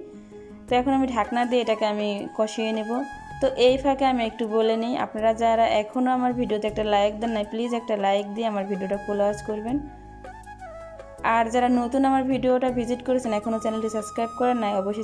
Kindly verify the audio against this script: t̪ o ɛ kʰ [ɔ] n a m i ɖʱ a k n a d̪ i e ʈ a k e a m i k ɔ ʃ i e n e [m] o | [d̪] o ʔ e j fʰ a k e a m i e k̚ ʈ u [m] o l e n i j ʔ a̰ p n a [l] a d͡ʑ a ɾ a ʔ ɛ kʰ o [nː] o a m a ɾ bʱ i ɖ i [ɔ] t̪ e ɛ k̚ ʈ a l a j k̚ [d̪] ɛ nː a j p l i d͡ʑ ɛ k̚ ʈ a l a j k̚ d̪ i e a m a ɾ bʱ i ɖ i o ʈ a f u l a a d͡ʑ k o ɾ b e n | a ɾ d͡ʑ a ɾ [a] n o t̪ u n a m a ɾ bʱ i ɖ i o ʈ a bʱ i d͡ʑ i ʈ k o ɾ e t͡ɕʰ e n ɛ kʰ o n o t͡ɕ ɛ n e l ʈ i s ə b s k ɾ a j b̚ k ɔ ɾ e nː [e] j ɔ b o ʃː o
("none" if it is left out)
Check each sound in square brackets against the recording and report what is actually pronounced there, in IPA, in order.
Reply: o, b, t̪, b, ɾ, n, o, d̪, a, a

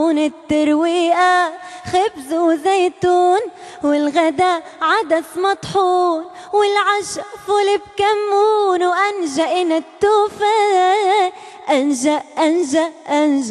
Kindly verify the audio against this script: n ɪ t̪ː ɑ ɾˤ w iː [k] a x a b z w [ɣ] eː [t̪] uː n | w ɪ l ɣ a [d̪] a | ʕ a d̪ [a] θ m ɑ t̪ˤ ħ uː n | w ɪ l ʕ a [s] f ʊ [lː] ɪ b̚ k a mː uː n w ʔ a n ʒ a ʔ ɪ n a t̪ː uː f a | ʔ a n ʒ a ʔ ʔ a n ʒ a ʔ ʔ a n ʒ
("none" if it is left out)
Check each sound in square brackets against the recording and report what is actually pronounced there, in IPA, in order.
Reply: ʔ, z, t̪, d̪, a, ʃ, l

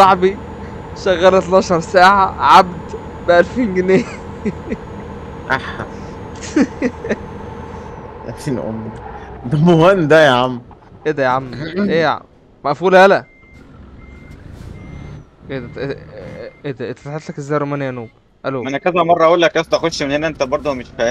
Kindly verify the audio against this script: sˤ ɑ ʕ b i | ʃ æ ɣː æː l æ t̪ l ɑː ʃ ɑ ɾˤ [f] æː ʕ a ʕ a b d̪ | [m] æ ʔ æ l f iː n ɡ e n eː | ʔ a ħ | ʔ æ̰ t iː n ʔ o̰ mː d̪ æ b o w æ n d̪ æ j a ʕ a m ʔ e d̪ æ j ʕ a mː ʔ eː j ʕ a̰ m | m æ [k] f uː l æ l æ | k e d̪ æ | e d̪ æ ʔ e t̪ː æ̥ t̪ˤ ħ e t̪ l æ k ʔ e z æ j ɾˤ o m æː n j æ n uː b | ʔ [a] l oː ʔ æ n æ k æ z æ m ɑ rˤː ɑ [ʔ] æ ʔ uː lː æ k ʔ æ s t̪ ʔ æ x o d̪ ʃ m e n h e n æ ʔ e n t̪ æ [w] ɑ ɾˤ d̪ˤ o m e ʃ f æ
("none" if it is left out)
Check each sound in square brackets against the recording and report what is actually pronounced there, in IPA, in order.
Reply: s, b, ʔ, æ, ʔ, b

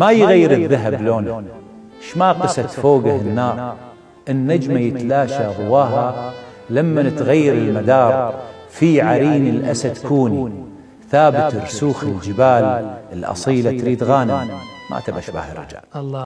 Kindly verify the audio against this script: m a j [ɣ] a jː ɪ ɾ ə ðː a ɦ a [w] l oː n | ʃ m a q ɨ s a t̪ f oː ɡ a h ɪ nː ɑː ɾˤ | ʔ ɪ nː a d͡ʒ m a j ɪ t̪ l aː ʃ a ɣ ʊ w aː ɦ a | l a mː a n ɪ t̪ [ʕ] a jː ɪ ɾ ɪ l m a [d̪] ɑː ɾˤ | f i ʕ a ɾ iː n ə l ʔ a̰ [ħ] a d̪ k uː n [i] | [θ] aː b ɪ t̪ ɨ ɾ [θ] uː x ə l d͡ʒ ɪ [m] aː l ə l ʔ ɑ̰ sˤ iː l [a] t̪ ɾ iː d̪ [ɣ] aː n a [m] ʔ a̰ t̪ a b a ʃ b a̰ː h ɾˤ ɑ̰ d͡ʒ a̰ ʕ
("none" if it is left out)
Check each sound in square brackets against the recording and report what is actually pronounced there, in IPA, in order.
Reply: ɣ, b, ɣ, d̪, s, i, θ, s, b, a, ɣ, m

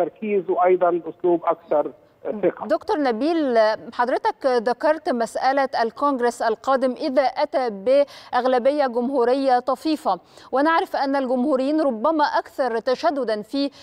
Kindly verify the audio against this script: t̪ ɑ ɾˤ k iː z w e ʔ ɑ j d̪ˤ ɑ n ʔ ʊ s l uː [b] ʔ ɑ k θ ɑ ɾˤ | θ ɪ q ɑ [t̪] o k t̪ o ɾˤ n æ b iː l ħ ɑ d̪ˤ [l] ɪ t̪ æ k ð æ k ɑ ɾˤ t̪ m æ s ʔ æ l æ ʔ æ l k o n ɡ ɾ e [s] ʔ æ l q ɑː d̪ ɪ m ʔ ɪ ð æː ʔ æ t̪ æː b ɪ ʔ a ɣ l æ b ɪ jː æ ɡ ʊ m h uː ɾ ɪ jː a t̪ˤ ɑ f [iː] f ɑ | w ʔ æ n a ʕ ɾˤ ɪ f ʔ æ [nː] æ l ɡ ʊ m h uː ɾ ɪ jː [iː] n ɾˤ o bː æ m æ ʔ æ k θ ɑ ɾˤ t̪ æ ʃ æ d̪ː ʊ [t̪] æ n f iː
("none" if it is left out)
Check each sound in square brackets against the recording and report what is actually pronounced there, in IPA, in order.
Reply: b, d̪, ɾ, s, iː, nː, iː, d̪

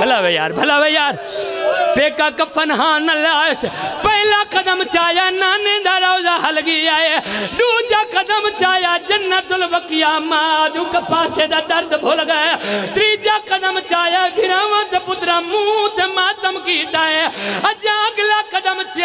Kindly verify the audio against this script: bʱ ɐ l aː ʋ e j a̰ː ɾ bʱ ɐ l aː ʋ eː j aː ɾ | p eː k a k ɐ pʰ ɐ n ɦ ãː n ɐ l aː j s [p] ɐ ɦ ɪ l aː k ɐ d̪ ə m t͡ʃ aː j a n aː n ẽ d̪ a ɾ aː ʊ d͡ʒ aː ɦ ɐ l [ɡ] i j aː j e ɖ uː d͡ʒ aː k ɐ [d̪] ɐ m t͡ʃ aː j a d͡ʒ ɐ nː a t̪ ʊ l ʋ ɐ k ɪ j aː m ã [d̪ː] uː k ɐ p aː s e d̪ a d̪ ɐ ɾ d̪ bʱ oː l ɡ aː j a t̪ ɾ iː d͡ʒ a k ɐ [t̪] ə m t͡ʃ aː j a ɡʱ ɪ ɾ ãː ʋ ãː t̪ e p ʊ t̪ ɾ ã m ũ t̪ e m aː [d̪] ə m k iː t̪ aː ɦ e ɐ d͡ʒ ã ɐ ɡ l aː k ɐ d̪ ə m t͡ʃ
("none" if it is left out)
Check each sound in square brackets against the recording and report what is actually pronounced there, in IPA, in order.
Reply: p, ɡ, d̪, d̪, d̪, t̪

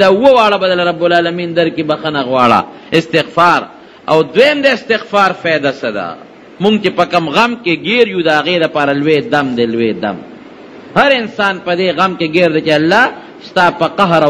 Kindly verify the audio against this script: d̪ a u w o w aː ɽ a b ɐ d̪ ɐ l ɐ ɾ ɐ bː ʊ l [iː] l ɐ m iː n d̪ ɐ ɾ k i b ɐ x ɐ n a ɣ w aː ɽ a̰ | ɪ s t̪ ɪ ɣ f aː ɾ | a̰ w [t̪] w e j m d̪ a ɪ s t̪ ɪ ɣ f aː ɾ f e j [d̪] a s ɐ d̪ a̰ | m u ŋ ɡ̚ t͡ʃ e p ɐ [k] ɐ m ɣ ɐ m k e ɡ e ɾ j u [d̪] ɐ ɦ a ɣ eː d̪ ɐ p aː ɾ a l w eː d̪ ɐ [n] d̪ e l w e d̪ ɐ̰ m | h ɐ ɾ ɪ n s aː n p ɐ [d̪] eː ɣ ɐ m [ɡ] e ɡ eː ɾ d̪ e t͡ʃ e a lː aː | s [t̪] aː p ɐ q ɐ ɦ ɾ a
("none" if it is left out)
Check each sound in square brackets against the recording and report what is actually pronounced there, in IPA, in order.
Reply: aː, d̪, d̪, k, d̪, m, d̪, k, t̪

